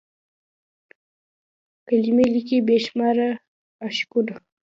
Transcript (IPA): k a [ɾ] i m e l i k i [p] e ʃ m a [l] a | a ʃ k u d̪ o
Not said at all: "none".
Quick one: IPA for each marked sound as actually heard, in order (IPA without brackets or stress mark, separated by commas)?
l, b, ɾ